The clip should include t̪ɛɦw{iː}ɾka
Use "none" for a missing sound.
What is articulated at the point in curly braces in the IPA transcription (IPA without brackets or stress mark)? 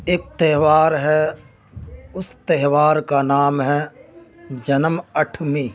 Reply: aː